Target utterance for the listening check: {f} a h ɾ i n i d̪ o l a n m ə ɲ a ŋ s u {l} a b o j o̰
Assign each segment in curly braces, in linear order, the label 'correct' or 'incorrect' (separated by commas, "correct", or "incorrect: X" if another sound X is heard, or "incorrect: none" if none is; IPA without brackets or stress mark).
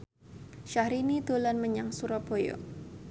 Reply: incorrect: ʃ, incorrect: ɾ